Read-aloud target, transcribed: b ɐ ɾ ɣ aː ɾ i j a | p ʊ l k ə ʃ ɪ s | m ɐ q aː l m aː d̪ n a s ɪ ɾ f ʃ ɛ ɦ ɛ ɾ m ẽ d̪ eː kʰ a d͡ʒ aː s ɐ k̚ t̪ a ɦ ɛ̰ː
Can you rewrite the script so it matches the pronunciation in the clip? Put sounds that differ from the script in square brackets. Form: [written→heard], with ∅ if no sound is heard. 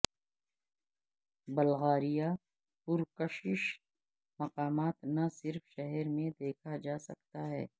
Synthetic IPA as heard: b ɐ [ɾ→l] ɣ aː ɾ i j a | p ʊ [l→ɾ] k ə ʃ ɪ [s→ʃ] | m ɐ q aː [l→∅] m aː [d̪→t̪] n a s ɪ ɾ f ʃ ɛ ɦ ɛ ɾ m ẽ d̪ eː kʰ a d͡ʒ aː s ɐ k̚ t̪ a ɦ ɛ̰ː

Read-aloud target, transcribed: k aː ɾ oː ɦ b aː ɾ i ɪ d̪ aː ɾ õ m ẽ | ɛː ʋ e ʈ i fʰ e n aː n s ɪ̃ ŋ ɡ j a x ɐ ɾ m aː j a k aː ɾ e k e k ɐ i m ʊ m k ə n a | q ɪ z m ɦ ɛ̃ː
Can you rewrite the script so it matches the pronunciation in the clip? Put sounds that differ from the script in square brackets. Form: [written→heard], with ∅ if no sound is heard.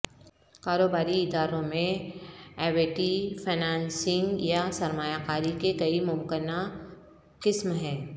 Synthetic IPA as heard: k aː ɾ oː [ɦ→∅] b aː ɾ i ɪ d̪ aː ɾ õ m ẽ | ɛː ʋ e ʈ i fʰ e n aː n s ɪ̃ ŋ ɡ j a [x→s] ɐ ɾ m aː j a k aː ɾ [e→i] k e k ɐ i m ʊ m k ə n a | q ɪ [z→s] m ɦ ɛ̃ː

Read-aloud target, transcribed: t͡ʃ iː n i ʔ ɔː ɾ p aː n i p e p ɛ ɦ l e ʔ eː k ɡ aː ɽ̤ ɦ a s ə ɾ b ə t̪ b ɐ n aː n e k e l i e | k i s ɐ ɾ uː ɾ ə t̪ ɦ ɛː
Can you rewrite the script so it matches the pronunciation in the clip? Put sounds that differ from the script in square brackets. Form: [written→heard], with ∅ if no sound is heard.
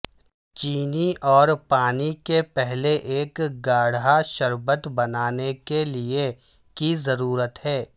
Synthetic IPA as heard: t͡ʃ iː n i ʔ ɔː ɾ p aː n i [p→k] e p ɛ ɦ l e ʔ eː k ɡ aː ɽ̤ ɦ a [s→ʃ] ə ɾ b ə t̪ b ɐ n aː n e k e l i e | k i [s→z] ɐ ɾ uː ɾ ə t̪ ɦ ɛː

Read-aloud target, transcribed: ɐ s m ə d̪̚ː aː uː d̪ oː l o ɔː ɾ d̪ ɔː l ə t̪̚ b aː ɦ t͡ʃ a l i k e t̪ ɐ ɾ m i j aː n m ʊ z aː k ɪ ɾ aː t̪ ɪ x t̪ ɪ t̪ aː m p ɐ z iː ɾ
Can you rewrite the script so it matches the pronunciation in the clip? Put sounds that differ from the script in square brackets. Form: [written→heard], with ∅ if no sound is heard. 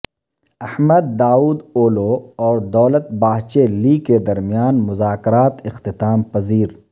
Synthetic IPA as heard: ɐ [s→h] m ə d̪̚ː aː uː d̪ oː l o ɔː ɾ d̪ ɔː l ə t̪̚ b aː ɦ t͡ʃ [a→e] l i k e [t̪→d̪] ɐ ɾ m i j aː n m ʊ z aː k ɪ ɾ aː t̪ ɪ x t̪ ɪ t̪ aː m p ɐ z iː ɾ

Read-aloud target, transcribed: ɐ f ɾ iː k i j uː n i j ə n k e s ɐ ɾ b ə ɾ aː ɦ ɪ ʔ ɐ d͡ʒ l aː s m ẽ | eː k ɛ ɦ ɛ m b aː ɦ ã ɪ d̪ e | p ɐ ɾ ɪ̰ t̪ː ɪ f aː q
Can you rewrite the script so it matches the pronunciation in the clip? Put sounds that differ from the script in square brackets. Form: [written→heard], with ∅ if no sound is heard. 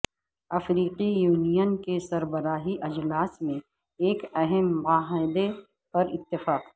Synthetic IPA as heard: ɐ f ɾ iː [k→q] i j uː n i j ə n k e s ɐ ɾ b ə ɾ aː ɦ [ɪ→i] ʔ ɐ d͡ʒ l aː s m ẽ | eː k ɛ ɦ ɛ m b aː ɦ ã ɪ d̪ e | p ɐ ɾ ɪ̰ t̪ː ɪ f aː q

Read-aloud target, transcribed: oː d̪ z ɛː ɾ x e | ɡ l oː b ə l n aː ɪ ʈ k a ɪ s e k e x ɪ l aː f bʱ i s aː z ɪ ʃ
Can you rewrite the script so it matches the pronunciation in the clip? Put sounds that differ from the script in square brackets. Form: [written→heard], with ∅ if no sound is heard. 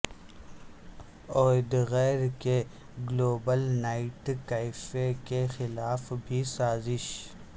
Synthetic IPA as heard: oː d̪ [z→ɣ] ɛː ɾ [x→k] e | ɡ l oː b ə l n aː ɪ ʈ k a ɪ [s→f] e k e x ɪ l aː f bʱ i s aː z ɪ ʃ

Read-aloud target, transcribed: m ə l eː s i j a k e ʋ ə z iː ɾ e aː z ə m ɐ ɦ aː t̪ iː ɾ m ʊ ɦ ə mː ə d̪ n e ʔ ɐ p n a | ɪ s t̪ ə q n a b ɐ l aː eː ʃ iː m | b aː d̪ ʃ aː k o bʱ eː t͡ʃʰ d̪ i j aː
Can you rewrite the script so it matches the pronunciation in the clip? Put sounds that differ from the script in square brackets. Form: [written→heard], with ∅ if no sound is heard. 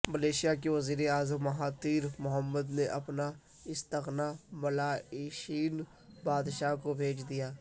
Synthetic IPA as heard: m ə l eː [s→ʃ] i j a k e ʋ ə z iː ɾ e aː z ə m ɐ ɦ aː t̪ iː ɾ m ʊ ɦ ə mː ə d̪ n e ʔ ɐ p n a | ɪ s t̪ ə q n a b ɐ l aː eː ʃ iː [m→n] | b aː d̪ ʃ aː k o bʱ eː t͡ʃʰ d̪ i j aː

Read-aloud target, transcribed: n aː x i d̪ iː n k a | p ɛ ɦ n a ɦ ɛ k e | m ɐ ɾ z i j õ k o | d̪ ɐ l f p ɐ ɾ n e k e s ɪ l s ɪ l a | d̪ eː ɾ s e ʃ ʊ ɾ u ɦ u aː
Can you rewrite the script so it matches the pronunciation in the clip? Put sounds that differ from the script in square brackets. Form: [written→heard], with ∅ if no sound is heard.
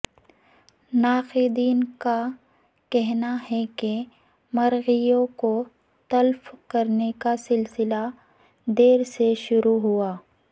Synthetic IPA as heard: n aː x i d̪ iː n k a | [p→k] ɛ ɦ n a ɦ ɛ k e | m ɐ ɾ [z→ɣ] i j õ k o | [d̪→t̪] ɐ l f [p→k] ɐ ɾ n e k [e→a] s ɪ l s ɪ l a | d̪ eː ɾ s e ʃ ʊ ɾ u ɦ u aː

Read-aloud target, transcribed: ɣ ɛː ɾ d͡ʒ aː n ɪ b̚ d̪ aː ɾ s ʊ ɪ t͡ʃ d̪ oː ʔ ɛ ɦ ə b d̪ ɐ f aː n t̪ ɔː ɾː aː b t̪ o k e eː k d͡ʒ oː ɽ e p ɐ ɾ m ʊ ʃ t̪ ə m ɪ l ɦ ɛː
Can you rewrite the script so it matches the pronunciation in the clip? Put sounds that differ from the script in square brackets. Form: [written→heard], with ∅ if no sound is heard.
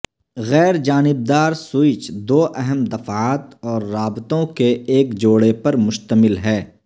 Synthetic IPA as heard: ɣ ɛː ɾ d͡ʒ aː n ɪ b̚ d̪ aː ɾ s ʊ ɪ t͡ʃ d̪ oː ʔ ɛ ɦ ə [b→m] d̪ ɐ f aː [n→∅] t̪ ɔː ɾː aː b t̪ [o→õ] k e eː k d͡ʒ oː ɽ e p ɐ ɾ m ʊ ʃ t̪ ə m ɪ l ɦ ɛː

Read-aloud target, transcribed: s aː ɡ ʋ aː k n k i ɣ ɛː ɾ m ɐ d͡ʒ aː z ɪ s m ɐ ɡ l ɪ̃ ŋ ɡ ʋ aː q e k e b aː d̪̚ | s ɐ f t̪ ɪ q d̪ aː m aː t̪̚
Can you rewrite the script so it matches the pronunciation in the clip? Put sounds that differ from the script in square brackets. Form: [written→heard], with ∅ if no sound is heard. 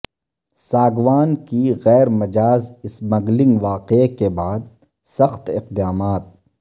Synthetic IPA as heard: s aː ɡ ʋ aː [k→∅] n k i ɣ ɛː ɾ m ɐ d͡ʒ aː z ɪ s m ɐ ɡ l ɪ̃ ŋ ɡ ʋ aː q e k e b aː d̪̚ | s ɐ [f→x] t̪ ɪ q d̪ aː m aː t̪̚

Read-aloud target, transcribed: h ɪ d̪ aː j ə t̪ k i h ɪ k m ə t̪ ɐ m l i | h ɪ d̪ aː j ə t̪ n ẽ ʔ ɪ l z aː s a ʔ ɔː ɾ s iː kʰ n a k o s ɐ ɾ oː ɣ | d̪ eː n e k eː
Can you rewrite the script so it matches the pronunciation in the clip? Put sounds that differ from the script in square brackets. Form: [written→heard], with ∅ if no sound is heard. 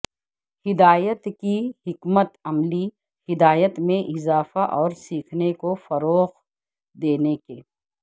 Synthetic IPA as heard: h ɪ d̪ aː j ə t̪ k i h ɪ k m ə t̪ ɐ m l i | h ɪ d̪ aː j ə t̪ [n→m] ẽ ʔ ɪ [l→∅] z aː [s→f] a ʔ ɔː ɾ s iː kʰ n [a→e] k o [s→f] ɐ ɾ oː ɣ | d̪ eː n e k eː

